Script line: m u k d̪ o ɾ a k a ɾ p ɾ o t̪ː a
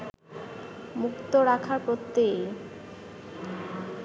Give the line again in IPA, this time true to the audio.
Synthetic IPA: m u k t̪ o ɾ a kʰ a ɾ p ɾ o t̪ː e